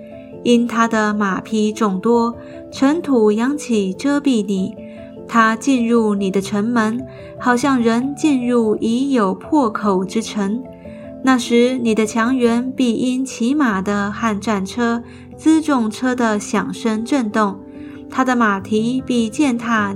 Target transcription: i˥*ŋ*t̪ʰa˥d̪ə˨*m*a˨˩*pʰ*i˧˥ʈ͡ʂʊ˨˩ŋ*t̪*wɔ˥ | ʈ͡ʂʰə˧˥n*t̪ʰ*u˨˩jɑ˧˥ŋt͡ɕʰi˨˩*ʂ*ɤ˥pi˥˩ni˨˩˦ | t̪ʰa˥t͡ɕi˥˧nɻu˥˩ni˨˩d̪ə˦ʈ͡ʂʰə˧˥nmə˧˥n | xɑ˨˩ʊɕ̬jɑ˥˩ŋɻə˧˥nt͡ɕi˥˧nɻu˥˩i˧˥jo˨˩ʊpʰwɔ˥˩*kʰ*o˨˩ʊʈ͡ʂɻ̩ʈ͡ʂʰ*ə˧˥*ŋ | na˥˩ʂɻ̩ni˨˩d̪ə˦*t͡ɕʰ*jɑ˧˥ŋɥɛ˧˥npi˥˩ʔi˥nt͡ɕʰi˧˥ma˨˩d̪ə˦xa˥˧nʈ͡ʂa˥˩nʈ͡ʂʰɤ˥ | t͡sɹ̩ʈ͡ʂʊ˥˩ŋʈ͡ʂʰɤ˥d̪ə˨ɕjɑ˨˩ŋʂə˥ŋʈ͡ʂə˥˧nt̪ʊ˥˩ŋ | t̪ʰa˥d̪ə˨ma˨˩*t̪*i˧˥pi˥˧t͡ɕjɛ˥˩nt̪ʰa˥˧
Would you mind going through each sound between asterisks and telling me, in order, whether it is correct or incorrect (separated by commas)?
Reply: incorrect, correct, correct, correct, correct, incorrect, correct, correct, correct, incorrect